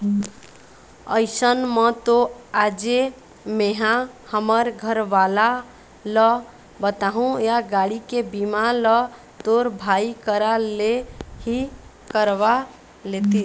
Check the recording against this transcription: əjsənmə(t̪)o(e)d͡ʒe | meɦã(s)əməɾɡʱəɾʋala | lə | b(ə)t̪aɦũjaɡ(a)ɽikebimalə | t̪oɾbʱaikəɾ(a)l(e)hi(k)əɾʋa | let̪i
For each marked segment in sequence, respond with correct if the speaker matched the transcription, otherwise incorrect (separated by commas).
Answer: correct, incorrect, incorrect, correct, correct, correct, correct, correct